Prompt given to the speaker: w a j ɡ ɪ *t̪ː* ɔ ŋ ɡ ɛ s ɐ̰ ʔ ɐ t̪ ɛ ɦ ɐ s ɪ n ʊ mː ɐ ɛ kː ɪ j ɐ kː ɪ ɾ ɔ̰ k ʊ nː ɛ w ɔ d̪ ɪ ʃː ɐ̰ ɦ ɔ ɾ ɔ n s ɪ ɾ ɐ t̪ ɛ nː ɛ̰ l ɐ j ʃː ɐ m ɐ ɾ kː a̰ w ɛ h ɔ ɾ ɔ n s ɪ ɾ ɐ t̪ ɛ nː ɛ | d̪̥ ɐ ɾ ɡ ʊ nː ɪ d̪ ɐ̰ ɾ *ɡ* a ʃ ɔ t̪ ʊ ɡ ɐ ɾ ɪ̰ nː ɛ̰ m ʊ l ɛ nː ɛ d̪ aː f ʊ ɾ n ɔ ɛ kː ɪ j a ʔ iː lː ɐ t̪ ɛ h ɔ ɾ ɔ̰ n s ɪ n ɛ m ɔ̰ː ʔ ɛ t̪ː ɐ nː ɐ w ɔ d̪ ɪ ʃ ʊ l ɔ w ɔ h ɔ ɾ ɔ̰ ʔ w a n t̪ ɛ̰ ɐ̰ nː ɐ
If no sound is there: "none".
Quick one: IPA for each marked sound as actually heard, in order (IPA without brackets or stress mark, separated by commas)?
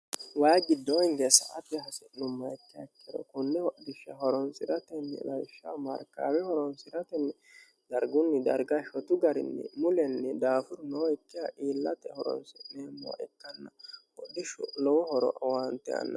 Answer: d̪ː, ɡ